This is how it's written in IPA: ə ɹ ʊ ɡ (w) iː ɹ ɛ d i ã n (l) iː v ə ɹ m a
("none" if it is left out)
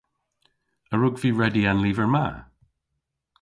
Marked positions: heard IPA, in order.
v, l

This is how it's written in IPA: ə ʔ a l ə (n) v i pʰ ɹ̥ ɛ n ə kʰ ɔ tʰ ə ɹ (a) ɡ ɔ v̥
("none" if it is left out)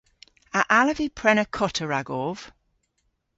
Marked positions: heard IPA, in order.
none, a

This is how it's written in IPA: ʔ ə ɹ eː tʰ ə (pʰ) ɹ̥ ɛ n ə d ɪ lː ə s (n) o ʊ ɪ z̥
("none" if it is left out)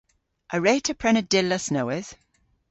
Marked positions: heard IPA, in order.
pʰ, n

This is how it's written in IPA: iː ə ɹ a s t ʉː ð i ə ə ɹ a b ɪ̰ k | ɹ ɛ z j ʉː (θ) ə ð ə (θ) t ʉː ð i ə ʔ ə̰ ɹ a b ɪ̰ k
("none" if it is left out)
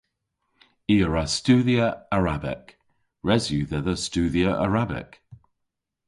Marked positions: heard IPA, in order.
ð, s

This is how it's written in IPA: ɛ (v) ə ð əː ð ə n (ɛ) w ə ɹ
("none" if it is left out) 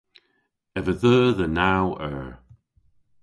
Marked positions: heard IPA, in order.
v, a

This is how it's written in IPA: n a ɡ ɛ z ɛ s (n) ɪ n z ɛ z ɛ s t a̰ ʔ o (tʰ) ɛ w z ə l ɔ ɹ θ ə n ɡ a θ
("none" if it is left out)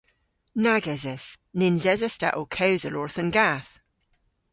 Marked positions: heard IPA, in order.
n, kʰ

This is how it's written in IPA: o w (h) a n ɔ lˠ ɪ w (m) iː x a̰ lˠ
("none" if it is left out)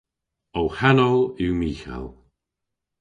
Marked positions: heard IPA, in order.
h, m

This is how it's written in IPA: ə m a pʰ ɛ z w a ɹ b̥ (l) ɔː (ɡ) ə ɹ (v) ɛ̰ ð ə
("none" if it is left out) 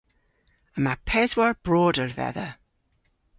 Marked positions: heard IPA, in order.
ɹ, d, ð

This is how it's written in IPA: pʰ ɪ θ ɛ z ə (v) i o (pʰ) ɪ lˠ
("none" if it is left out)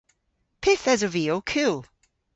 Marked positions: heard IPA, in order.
v, kʰ

